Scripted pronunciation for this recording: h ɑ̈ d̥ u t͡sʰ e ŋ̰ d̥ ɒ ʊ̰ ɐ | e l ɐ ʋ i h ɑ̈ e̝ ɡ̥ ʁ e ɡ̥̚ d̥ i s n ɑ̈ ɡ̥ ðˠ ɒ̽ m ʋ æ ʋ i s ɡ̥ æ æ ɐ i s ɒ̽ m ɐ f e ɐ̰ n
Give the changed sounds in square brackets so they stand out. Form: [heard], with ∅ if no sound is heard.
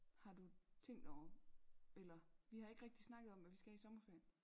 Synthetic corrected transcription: h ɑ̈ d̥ u t͡sʰ e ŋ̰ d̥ ɒ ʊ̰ ɐ | e l ɐ ʋ i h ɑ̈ e̝ ɡ̥ ʁ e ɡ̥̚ d̥ i s n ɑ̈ ɡ̥ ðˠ ɒ̽ m ʋ æ ʋ i s ɡ̥ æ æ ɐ i s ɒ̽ m ɐ f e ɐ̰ n